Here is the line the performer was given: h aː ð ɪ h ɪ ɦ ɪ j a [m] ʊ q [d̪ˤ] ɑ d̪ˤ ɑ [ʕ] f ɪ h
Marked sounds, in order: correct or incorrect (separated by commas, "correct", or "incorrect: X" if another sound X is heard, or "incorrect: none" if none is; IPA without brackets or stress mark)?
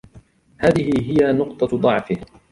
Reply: incorrect: n, incorrect: t̪ˤ, correct